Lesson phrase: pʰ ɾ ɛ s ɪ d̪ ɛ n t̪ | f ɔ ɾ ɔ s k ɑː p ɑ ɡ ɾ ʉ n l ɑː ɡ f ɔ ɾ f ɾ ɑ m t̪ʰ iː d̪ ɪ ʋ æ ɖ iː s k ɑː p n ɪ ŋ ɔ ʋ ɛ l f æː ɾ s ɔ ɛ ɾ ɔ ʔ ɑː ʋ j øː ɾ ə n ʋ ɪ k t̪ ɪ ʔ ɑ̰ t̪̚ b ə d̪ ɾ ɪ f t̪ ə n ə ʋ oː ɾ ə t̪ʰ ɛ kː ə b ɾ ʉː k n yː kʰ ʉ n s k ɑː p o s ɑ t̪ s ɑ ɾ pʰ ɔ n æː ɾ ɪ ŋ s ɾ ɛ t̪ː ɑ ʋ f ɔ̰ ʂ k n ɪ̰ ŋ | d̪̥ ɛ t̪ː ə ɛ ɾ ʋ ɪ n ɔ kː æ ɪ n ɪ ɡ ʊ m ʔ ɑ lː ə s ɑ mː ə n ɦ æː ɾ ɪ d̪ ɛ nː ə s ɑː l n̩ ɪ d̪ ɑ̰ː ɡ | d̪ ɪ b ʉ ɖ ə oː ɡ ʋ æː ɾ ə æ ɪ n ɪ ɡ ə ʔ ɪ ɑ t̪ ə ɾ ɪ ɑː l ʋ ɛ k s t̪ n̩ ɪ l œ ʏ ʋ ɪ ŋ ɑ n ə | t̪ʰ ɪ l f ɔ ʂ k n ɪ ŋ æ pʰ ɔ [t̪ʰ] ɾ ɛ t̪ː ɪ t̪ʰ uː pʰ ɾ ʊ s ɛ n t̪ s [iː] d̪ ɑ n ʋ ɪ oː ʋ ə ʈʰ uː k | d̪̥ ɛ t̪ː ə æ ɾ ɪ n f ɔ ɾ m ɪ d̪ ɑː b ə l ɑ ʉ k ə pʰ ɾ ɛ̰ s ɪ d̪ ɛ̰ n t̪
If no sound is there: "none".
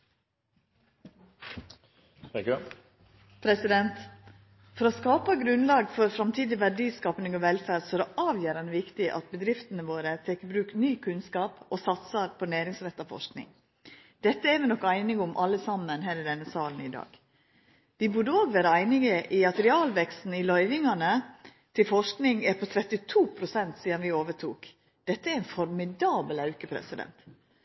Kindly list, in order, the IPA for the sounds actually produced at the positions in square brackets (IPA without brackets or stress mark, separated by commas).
t̪ʰ, iː